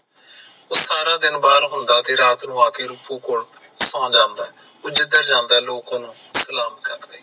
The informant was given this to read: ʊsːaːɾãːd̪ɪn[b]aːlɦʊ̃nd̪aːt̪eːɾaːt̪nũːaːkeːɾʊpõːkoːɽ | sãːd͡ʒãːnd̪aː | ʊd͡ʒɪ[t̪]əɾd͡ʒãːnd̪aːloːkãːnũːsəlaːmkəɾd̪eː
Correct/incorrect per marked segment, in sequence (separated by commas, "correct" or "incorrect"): correct, incorrect